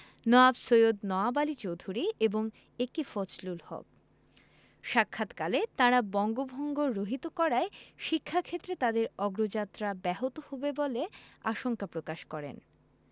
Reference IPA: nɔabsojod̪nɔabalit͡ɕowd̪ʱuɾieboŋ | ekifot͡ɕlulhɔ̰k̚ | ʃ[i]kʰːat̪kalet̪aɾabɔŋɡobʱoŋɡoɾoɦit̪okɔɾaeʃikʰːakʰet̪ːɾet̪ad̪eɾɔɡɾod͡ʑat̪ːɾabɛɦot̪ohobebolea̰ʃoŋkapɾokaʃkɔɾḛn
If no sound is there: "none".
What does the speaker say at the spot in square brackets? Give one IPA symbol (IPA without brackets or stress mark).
a